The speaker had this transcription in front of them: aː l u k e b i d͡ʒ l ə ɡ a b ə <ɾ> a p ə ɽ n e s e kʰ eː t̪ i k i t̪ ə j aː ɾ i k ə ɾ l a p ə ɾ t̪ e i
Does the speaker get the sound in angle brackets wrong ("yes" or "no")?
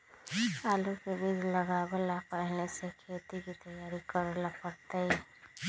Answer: yes